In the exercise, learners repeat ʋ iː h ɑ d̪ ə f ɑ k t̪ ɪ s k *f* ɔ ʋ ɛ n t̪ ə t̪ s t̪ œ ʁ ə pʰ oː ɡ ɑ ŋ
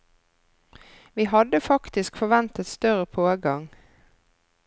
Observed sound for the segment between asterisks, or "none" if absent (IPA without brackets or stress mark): f